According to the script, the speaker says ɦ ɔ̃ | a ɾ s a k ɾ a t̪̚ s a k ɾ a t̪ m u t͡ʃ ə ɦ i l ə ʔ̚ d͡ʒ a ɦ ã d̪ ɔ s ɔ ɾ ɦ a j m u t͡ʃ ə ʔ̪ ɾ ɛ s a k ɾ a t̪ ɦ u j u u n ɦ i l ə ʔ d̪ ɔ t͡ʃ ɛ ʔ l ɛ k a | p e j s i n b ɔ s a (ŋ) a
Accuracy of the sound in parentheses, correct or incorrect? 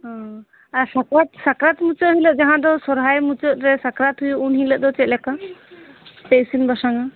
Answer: correct